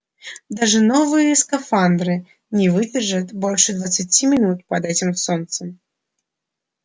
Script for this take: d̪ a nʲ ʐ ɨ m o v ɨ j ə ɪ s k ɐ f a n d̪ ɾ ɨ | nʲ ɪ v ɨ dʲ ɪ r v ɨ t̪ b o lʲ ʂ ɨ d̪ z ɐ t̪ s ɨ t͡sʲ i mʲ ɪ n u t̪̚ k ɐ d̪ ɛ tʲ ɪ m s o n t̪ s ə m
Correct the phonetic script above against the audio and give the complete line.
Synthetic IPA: d̪ a ʐ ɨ n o v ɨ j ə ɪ s k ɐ f a n d̪ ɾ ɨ | nʲ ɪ v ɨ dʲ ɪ r ʐ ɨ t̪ b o lʲ ʂ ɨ d̪ v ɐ t̪ s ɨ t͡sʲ i mʲ ɪ n u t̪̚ p ɐ d̪ ɛ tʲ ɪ m s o n t̪ s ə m